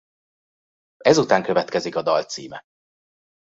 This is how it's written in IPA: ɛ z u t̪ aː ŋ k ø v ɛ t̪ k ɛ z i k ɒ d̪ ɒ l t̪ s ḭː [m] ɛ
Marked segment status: correct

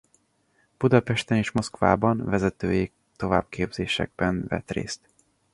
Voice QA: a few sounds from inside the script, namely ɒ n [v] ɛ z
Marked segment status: correct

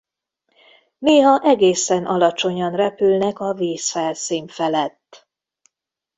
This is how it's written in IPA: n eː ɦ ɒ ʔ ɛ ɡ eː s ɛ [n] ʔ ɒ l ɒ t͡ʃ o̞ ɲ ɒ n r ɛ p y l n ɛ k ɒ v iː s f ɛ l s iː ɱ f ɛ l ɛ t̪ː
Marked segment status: correct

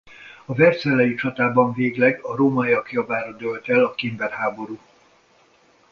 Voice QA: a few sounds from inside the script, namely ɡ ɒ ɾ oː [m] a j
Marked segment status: correct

